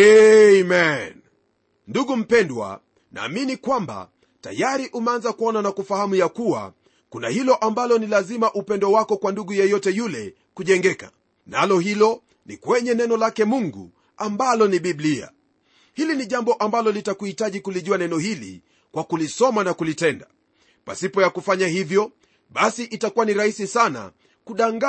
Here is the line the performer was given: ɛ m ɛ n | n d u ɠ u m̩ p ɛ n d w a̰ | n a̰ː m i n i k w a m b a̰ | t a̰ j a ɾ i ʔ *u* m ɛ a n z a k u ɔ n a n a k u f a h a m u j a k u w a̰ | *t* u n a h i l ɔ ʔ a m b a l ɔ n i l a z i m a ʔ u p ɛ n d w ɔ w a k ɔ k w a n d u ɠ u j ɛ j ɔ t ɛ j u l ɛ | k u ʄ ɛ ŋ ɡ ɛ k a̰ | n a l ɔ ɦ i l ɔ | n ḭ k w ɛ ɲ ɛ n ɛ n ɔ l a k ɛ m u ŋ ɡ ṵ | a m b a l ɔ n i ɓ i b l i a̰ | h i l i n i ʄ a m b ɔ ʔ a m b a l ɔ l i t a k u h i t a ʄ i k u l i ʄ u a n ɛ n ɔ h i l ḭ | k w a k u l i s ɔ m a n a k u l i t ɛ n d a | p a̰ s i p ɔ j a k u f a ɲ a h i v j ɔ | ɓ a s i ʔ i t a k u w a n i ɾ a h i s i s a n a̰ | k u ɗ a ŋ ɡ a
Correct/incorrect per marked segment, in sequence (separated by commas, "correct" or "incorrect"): correct, incorrect